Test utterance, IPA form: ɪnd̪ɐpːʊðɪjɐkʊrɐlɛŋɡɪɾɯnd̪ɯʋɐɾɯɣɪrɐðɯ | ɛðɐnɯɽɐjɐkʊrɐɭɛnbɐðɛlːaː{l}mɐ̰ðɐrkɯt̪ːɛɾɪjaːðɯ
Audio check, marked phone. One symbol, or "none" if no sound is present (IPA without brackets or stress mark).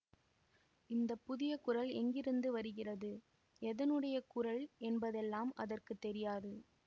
none